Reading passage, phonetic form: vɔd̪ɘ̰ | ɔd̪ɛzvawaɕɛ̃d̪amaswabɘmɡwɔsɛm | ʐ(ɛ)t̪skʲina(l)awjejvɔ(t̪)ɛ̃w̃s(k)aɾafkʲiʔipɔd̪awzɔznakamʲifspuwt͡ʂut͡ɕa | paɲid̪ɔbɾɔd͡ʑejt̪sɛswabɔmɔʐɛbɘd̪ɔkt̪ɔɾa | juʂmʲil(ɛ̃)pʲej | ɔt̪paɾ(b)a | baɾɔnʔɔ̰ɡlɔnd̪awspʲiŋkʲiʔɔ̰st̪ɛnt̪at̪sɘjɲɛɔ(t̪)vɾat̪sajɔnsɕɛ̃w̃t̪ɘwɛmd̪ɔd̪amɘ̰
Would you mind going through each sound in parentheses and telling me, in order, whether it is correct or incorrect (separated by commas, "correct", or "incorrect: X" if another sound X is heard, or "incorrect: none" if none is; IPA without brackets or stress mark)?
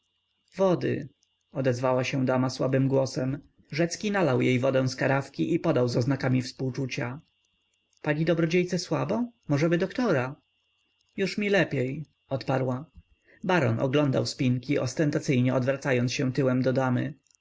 correct, correct, incorrect: d̪, correct, incorrect: ɛ, incorrect: w, incorrect: d̪